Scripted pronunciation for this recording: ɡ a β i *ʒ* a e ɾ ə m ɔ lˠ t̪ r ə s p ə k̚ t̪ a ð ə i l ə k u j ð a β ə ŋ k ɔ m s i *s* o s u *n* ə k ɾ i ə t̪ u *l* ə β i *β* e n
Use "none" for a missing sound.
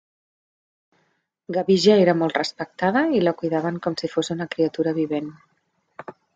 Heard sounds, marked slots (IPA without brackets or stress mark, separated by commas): ʒ, f, n, ɾ, β